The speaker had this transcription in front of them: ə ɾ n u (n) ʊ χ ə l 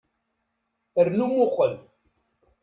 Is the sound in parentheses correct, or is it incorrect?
incorrect